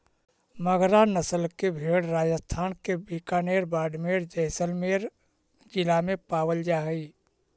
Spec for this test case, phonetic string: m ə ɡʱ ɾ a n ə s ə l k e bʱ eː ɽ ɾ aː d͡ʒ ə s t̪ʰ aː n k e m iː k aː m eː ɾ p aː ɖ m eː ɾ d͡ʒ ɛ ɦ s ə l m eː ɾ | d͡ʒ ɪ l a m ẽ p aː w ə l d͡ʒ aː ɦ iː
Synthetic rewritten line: m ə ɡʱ ɾ a n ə s ə l k e bʱ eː ɽ ɾ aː d͡ʒ ə s t̪ʰ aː n k e b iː k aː n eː ɾ b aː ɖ m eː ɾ d͡ʒ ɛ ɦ s ə l m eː ɾ | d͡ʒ ɪ l a m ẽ p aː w ə l d͡ʒ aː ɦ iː